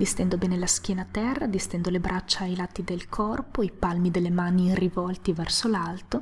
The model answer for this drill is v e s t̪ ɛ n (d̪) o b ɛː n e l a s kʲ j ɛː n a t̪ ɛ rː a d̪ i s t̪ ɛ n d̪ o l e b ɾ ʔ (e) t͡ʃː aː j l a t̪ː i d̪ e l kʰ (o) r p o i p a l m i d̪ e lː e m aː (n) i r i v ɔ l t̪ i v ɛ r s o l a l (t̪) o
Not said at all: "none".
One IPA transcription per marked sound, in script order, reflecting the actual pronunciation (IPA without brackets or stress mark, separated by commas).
d̪, a, ɔ, n, t̪